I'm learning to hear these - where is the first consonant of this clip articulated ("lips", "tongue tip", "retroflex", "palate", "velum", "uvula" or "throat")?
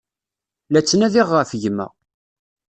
tongue tip